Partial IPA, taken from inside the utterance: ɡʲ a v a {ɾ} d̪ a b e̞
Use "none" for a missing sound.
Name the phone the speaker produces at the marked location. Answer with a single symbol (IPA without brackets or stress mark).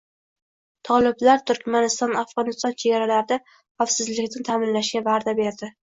ɾ